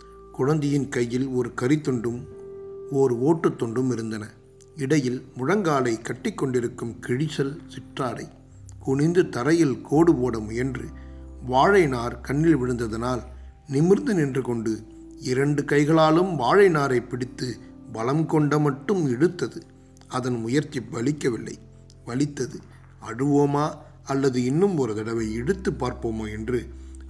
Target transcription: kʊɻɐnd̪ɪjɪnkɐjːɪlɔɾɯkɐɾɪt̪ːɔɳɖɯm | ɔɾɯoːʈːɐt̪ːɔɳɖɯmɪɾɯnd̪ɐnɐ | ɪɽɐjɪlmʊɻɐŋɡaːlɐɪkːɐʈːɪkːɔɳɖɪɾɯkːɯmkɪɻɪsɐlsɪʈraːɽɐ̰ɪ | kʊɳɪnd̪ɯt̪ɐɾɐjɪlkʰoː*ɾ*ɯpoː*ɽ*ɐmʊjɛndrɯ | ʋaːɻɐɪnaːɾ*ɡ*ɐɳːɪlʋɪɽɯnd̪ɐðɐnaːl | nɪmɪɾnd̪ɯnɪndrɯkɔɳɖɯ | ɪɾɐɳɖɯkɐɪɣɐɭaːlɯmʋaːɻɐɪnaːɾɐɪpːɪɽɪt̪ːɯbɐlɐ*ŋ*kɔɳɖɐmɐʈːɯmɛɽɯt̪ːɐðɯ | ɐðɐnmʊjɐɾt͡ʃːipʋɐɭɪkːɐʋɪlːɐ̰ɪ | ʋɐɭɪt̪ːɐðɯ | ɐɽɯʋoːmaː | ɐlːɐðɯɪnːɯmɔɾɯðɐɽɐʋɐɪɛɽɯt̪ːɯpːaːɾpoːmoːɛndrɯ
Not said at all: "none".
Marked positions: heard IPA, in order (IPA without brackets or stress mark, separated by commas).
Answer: ɽ, ɽ, k, m